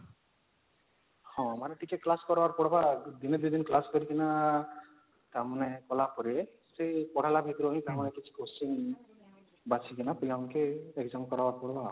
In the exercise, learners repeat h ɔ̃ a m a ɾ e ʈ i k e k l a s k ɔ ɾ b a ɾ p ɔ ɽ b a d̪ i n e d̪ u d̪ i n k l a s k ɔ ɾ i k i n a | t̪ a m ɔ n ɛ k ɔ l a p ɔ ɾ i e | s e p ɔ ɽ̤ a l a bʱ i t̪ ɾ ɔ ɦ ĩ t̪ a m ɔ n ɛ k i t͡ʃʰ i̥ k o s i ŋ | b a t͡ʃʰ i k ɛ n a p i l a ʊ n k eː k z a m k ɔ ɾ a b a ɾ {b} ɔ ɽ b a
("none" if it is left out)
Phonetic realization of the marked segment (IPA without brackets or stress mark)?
p